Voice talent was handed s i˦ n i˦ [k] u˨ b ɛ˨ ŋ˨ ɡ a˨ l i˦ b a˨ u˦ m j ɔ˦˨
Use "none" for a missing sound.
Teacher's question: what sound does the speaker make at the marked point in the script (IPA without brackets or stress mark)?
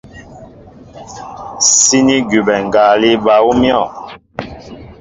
ɡ